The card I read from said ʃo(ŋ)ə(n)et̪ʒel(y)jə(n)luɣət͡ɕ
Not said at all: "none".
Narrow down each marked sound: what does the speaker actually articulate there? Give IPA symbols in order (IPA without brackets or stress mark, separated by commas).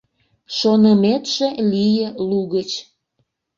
n, m, i, none